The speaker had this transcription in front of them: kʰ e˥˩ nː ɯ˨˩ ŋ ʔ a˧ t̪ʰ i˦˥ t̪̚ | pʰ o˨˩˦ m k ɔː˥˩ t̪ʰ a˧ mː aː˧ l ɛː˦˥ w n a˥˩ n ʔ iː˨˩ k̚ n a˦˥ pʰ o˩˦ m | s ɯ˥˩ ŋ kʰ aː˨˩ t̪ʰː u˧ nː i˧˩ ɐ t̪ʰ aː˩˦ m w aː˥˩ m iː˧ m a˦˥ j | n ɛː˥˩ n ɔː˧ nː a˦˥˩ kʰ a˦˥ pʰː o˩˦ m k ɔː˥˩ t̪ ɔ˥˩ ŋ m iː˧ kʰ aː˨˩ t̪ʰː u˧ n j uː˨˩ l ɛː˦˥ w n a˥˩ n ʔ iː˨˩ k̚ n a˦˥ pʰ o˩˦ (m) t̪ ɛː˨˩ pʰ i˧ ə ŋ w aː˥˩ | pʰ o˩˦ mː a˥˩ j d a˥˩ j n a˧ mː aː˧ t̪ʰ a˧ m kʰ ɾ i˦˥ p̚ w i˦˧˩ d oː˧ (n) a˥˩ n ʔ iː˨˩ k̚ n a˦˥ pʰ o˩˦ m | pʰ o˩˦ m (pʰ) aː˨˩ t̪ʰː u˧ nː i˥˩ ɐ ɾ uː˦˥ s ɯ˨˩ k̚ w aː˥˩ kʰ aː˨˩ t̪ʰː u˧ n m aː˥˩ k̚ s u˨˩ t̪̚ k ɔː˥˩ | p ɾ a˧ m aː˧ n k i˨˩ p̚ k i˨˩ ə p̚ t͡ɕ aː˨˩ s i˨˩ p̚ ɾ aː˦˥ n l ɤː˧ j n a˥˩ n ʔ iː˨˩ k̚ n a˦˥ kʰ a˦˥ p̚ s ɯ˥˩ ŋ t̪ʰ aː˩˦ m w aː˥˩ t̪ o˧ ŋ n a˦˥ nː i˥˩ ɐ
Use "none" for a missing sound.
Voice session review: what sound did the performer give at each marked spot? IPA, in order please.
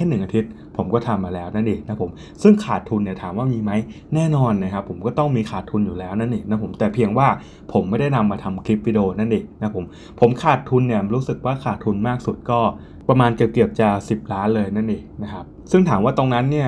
m, n, kʰ

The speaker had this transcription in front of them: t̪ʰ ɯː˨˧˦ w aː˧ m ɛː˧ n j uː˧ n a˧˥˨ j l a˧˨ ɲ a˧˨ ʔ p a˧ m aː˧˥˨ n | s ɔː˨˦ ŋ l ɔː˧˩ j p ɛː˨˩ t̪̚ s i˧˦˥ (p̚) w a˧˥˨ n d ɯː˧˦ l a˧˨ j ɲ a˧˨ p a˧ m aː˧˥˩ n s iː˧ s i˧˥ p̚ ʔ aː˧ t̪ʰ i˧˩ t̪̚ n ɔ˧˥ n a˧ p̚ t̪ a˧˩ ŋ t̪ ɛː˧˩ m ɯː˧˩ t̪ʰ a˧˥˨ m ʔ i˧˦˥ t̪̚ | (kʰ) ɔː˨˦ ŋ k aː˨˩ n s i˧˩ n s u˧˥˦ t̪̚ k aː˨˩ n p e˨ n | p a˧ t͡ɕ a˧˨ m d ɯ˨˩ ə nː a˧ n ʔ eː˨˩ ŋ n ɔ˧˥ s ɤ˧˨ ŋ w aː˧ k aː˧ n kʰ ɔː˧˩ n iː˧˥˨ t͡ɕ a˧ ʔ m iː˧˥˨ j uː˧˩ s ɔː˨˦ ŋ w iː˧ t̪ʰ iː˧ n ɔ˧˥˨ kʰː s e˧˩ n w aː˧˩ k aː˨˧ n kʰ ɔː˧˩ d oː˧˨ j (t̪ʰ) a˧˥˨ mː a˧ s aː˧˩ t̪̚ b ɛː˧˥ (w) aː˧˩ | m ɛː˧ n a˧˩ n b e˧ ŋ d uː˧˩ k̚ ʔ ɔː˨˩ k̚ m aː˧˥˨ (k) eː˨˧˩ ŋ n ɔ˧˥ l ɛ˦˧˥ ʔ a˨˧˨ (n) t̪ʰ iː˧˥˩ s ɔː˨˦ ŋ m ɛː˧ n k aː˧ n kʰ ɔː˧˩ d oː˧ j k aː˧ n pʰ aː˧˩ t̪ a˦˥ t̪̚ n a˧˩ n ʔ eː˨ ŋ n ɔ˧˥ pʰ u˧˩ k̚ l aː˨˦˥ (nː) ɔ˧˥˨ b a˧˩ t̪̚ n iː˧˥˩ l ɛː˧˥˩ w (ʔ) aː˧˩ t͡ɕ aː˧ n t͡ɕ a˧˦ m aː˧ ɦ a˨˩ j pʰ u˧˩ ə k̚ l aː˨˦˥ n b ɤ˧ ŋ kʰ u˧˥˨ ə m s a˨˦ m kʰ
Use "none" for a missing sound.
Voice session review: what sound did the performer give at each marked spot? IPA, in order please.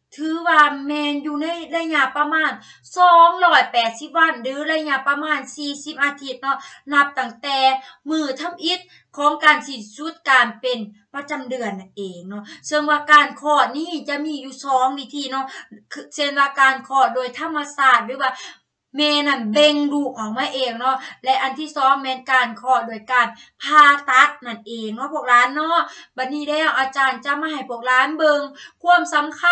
p̚, kʰ, t̪ʰ, w, ʔ, n, nː, ʔ

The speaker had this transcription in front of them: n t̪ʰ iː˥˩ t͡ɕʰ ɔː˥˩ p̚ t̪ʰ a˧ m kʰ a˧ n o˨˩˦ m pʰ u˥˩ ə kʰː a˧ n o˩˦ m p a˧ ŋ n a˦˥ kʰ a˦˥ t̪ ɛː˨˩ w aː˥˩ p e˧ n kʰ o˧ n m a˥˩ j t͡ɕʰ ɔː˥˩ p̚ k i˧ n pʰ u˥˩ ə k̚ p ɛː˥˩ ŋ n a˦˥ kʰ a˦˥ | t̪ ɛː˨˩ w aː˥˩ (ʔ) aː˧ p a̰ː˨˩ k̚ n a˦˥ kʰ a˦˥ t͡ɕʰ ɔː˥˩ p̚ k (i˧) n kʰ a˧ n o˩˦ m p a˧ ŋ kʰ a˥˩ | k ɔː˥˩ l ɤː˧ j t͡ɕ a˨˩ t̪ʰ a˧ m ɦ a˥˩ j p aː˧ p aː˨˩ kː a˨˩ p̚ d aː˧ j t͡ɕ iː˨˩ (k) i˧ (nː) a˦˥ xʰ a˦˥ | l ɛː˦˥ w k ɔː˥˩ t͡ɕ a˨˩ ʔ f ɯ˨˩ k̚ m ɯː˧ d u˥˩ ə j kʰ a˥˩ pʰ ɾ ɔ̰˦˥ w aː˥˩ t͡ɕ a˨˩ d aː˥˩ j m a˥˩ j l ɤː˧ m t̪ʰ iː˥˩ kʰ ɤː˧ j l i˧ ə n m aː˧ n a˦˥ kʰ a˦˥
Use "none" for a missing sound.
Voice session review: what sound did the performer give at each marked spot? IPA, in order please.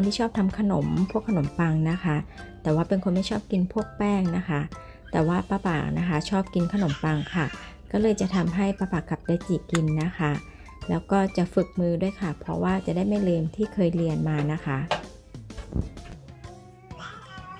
p, i˧, k, nː

